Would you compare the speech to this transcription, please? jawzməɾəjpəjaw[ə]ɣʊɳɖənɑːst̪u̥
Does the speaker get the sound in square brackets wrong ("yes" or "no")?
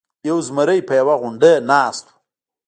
yes